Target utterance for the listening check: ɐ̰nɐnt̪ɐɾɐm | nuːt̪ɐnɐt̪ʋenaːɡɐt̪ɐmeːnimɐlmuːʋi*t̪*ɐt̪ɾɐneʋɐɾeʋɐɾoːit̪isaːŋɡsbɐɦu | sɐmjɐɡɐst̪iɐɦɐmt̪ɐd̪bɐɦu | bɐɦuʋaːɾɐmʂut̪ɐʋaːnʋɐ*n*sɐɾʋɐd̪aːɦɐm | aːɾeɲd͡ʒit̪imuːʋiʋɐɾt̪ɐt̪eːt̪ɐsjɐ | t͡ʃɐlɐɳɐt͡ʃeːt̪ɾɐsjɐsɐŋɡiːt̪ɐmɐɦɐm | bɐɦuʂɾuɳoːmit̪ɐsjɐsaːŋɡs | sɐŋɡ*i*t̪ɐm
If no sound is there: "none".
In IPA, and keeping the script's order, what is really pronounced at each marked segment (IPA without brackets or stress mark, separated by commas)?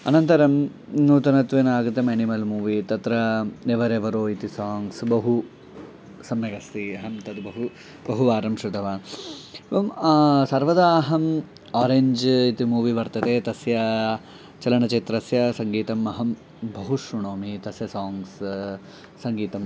t̪, m, iː